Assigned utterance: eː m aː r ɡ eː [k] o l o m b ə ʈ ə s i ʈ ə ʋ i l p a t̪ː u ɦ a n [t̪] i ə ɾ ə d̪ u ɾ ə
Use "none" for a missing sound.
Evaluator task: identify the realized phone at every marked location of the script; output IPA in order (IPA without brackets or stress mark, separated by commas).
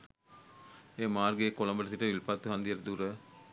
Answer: k, d̪